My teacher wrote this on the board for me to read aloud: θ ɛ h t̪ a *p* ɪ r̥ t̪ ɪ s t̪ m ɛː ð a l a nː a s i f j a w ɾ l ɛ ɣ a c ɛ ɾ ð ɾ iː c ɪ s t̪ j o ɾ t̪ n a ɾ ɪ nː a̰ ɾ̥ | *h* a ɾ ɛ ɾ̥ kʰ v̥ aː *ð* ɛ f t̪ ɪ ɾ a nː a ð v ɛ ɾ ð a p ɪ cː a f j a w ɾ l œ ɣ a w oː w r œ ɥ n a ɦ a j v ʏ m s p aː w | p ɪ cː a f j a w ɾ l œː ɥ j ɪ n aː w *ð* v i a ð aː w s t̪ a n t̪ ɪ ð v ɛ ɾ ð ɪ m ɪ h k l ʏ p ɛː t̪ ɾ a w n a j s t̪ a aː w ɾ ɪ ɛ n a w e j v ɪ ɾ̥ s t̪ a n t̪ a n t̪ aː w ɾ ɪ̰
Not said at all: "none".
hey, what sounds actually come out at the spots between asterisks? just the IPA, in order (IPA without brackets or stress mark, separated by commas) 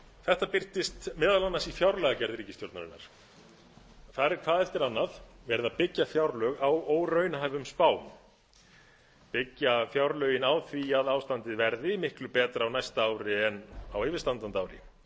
p, θ, ð, θ